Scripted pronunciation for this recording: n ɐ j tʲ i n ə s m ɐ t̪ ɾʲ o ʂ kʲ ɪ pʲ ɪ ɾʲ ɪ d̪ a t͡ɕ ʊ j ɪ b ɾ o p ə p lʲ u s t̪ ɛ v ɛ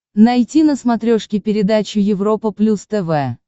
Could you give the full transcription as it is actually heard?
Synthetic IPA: n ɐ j tʲ i n ə s m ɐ t̪ ɾʲ o ʂ kʲ ɪ pʲ ɪ ɾʲ ɪ d̪ a t͡ɕ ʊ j ɪ v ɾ o p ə p lʲ u s t̪ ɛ v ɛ